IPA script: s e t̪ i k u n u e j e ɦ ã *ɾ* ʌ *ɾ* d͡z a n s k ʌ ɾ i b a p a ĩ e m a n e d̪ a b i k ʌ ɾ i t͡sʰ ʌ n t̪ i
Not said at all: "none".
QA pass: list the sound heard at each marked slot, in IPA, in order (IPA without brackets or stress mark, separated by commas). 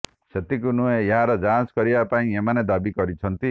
ɾ, none